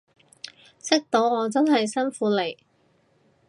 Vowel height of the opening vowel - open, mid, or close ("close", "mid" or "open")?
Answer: close